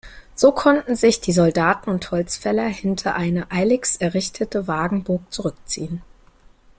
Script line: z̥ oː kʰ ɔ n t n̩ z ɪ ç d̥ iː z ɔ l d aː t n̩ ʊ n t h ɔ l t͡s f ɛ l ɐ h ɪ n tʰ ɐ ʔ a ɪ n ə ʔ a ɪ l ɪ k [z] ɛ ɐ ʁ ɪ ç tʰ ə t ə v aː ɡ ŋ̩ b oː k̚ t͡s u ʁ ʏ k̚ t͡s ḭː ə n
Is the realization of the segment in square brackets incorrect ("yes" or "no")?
yes